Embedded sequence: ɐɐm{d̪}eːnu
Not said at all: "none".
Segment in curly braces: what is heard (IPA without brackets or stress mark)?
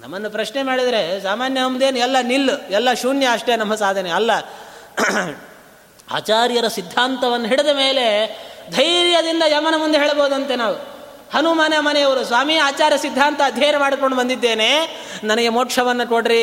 d̪